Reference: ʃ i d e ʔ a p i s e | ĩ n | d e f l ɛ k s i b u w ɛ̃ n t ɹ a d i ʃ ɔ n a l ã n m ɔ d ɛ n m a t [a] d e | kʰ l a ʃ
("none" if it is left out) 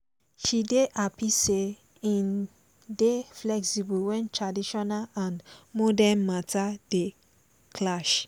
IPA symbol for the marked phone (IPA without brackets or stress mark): a